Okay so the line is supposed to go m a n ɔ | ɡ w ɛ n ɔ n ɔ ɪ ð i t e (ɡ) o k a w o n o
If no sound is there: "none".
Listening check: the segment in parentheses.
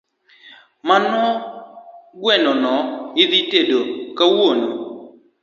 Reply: d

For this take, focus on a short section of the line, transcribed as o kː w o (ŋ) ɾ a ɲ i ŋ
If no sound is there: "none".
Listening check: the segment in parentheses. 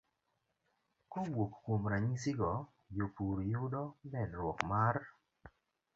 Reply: m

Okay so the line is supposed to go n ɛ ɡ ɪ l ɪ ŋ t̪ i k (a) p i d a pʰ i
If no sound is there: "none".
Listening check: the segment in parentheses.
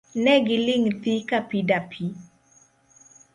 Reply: a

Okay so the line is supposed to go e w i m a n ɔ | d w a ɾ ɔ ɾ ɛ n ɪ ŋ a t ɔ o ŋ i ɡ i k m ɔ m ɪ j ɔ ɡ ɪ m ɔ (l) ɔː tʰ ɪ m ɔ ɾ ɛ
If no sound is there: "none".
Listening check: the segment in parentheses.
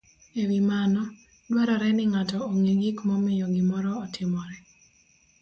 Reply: ɾ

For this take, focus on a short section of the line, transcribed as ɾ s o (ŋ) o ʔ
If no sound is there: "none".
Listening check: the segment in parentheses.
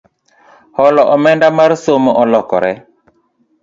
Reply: m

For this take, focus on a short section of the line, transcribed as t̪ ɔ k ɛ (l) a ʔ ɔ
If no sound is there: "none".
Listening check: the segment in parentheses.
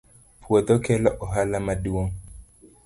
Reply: l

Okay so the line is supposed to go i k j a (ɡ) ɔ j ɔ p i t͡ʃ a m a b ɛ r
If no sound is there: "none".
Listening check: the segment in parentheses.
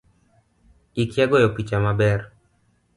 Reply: ɡ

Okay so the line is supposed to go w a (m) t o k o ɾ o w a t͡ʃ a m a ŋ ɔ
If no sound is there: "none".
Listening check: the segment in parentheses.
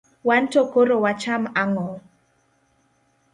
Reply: n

